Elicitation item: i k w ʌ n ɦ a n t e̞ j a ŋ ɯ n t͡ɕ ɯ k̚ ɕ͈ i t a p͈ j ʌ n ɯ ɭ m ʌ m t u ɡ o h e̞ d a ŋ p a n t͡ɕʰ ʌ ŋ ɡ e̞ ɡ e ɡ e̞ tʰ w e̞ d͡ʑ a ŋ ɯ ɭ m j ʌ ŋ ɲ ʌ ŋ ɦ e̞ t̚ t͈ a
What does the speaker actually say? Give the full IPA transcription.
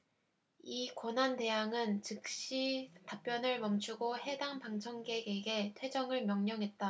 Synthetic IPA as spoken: i k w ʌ n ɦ a n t e̞ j a ŋ ɯ n t͡ɕ ɯ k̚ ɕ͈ i t a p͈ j ʌ n ɯ ɭ m ʌ m t͡ɕʰ u ɡ o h e̞ d a ŋ p a ŋ t͡ɕʰ ʌ ŋ ɡ e̞ ɡ e ɡ e̞ tʰ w e̞ d͡ʑ ʌ ŋ ɯ ɭ m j ʌ ŋ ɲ ʌ ŋ ɦ e̞ t̚ t͈ a